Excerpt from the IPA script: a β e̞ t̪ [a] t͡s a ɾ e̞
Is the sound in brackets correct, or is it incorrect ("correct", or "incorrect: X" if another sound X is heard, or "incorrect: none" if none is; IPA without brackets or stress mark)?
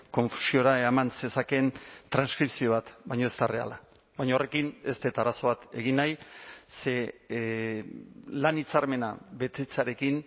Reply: incorrect: e